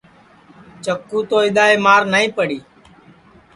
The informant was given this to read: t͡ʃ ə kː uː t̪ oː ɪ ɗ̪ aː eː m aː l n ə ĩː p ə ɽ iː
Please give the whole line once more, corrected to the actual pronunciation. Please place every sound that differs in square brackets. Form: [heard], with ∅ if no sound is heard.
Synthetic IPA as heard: t͡ʃ ə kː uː t̪ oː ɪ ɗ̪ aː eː m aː [ɾ] n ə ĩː p ə ɽ iː